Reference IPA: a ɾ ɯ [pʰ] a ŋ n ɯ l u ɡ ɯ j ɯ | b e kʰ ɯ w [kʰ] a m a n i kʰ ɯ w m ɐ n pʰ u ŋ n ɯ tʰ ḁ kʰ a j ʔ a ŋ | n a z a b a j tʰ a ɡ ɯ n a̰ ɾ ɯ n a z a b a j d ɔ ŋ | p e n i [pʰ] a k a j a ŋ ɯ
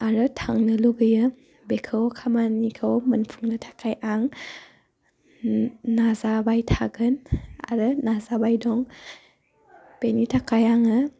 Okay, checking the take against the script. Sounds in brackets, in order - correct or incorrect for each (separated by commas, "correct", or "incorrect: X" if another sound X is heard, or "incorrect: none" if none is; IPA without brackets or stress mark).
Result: incorrect: tʰ, correct, incorrect: tʰ